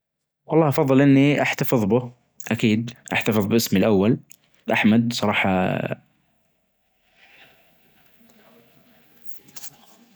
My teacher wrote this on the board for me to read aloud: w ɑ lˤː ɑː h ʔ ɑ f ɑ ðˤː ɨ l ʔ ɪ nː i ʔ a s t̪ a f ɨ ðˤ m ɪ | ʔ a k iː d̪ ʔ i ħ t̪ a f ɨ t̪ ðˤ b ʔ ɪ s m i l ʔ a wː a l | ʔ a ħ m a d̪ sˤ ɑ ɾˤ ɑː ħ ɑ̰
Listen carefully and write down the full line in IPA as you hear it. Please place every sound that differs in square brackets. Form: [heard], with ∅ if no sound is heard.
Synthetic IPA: w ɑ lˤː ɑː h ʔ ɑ f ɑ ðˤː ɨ l ʔ ɪ nː i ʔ a [ħ] t̪ a f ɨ ðˤ [b] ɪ | ʔ a k iː d̪ ʔ [a] ħ t̪ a f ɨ [∅] ðˤ b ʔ ɪ s m i l ʔ a wː a l | ʔ a ħ m a d̪ sˤ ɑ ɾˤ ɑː ħ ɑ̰